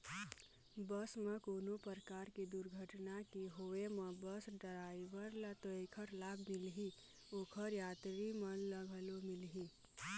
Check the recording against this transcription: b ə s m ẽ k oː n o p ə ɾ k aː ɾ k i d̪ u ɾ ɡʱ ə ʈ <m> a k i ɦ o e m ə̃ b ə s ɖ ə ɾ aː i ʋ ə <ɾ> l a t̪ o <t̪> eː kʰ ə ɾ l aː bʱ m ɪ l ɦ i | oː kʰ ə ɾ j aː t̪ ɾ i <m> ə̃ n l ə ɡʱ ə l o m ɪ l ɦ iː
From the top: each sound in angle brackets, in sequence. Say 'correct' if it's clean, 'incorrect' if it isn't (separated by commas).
incorrect, correct, incorrect, correct